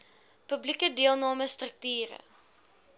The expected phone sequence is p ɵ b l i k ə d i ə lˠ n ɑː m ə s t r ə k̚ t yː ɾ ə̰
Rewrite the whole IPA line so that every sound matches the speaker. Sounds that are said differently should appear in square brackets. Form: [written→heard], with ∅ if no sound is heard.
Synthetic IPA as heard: p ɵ b l i k ə d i ə lˠ n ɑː m ə s t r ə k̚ t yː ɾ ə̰

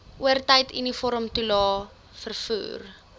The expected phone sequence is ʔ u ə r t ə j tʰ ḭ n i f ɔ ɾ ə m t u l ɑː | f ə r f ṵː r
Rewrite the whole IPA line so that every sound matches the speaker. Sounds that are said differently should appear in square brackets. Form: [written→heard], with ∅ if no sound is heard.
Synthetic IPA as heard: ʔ u ə r t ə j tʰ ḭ n i f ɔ ɾ ə m t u l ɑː | f ə r f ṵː r

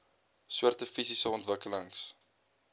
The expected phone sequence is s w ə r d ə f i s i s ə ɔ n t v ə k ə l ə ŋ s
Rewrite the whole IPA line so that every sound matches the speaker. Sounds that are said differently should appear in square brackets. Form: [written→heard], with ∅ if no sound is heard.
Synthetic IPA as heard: s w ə r [d→t] ə f i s i s ə ɔ n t v ə k ə l ə ŋ s

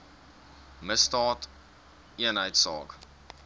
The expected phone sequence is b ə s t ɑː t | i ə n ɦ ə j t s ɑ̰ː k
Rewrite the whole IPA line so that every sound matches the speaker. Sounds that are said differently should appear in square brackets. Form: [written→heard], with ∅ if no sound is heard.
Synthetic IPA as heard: [b→m] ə s t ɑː t | i ə n ɦ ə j t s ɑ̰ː k

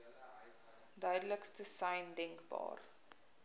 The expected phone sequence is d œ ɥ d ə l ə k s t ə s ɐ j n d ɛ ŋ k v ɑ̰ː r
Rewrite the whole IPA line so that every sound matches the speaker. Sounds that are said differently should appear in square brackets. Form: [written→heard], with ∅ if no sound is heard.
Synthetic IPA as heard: d œ ɥ d ə l ə k s t ə s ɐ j n d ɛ ŋ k [v→b] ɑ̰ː r

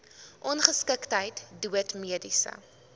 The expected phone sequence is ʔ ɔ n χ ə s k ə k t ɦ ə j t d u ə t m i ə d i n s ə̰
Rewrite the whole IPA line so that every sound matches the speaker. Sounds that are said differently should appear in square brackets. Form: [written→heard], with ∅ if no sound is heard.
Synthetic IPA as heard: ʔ ɔ n χ ə s k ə k t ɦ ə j t d u ə t m i ə d i [n→∅] s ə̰

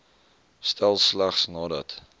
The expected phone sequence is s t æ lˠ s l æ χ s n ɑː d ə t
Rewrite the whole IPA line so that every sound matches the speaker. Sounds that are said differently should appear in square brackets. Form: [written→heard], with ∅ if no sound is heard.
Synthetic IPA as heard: s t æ lˠ s l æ χ s n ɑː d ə t

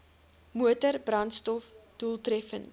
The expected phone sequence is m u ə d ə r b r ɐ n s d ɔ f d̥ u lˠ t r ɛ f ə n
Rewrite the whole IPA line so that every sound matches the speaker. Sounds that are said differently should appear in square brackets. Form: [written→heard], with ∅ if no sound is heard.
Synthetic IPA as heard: m u ə [d→t] ə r b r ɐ n s [d→t] ɔ f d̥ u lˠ t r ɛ f ə n

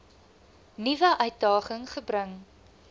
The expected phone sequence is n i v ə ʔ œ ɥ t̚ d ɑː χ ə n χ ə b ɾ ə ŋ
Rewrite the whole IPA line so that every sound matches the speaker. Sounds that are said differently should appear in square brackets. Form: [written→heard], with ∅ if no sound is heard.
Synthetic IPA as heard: n i v ə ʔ œ ɥ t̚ d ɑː χ ə [n→ŋ] χ ə b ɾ ə ŋ

